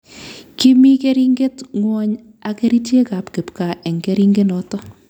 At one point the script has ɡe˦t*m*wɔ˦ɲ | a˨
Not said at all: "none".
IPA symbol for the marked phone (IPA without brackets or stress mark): ŋ